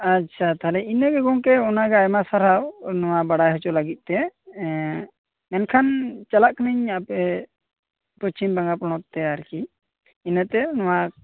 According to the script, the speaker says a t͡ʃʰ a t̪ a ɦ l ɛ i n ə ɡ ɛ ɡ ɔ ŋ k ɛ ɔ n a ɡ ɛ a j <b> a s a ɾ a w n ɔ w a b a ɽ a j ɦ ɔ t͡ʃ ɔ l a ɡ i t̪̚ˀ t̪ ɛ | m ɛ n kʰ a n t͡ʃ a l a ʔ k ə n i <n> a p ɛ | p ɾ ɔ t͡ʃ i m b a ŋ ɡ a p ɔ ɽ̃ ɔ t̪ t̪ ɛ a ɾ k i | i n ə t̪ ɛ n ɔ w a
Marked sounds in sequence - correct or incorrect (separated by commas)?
incorrect, incorrect